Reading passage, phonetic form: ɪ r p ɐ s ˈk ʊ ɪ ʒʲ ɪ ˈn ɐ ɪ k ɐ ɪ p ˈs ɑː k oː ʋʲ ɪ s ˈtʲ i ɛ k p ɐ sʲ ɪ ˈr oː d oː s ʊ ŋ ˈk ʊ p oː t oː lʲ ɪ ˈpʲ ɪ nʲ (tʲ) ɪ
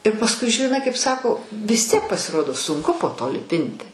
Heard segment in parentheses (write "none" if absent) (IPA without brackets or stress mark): tʲ